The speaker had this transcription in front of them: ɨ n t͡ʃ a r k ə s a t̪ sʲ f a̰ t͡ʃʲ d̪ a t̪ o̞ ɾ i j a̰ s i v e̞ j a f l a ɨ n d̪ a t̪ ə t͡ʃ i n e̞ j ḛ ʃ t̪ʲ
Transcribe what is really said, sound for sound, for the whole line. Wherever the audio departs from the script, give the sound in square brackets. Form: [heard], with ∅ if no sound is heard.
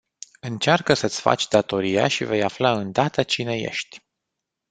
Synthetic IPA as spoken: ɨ n t͡ʃ a r k ə s [ə] t̪ sʲ f a̰ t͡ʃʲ d̪ a t̪ o̞ ɾ i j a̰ [ʃ] i v e̞ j a f l a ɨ n d̪ a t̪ ə t͡ʃ i n e̞ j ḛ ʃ t̪ʲ